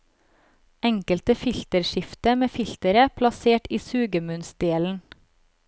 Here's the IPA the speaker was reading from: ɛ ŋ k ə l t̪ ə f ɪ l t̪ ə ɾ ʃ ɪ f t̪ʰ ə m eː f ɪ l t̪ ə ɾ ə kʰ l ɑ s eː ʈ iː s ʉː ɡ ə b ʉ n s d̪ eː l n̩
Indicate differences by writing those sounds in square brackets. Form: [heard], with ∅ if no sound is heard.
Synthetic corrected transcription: ɛ ŋ k ə l t̪ ə f ɪ l t̪ ə ɾ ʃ ɪ f [t̪] ə m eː f ɪ l t̪ ə ɾ ə [pʰ] l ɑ s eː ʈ iː s ʉː ɡ ə [m] ʉ n s d̪ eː l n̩